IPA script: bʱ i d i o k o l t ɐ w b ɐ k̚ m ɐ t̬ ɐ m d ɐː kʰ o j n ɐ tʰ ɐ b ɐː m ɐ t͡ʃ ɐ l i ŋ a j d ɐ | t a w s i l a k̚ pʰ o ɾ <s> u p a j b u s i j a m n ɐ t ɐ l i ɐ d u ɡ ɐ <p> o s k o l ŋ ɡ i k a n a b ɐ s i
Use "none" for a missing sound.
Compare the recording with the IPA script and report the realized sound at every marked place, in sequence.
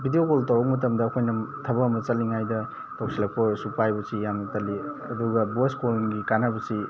s, b

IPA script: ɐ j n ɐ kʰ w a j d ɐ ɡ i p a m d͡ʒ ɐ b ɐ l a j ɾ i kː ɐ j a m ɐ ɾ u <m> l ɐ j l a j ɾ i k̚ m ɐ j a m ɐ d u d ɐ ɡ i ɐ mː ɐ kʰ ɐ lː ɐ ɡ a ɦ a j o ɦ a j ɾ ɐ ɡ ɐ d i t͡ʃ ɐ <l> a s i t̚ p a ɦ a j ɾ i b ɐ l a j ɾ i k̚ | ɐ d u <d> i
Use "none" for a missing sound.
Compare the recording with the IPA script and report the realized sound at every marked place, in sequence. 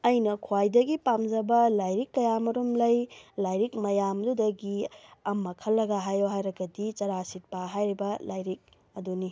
m, ɾ, n

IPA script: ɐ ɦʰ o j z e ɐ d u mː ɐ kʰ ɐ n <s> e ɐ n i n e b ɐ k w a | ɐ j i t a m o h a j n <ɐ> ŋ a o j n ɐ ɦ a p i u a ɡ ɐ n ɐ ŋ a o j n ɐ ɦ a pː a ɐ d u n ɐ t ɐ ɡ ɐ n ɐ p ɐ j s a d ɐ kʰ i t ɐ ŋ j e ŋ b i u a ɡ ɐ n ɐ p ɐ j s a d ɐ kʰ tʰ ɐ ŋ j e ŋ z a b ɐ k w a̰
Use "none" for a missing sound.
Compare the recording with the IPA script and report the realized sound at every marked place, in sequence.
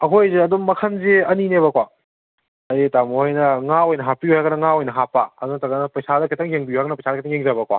z, ɐ

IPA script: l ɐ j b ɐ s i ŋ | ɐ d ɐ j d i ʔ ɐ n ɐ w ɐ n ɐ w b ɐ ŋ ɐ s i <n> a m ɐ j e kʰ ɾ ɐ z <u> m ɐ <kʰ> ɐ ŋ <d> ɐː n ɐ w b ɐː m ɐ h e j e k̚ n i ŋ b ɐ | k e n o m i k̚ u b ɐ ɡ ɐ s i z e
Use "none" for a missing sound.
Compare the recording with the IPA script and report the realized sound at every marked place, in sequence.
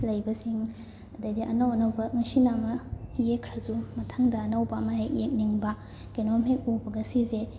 n, u, tʰ, d

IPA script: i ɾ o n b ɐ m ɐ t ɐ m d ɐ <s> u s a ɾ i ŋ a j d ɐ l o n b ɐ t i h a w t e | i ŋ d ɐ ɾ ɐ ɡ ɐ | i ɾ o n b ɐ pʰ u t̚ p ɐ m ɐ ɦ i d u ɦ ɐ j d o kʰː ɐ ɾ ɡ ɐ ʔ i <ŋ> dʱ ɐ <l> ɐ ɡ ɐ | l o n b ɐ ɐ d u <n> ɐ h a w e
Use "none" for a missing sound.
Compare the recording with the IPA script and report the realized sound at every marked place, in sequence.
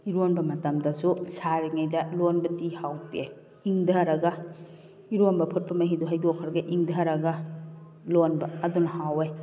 s, ŋ, ɾ, n

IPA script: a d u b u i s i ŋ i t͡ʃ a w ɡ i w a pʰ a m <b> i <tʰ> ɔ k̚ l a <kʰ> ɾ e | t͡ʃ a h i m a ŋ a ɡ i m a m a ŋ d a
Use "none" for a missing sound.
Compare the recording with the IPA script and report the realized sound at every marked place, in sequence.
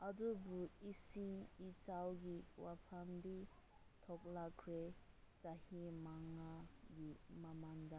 d, tʰ, kʰ

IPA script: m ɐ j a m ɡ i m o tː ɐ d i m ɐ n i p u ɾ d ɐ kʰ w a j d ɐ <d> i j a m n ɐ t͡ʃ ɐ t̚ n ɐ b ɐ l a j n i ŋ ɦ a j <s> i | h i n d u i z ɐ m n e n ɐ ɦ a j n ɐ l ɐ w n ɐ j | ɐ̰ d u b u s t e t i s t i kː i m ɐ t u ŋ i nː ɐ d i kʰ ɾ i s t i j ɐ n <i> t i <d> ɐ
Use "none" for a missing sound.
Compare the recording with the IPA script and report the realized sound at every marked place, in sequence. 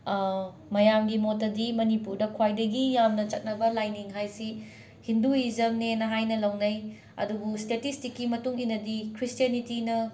ɡ, s, i, n

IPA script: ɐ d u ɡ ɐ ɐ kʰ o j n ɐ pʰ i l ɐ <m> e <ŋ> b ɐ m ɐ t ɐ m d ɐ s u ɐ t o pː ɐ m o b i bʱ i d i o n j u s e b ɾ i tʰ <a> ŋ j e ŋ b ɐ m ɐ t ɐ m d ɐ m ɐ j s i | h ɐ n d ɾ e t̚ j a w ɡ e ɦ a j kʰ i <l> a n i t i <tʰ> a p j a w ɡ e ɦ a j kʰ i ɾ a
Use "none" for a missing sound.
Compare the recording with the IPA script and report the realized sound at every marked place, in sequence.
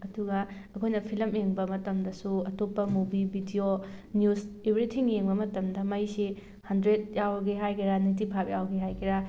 m, ŋ, i, ɾ, pʰ

